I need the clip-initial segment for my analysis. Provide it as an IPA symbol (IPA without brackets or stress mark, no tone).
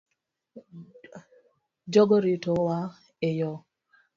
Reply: d͡ʒ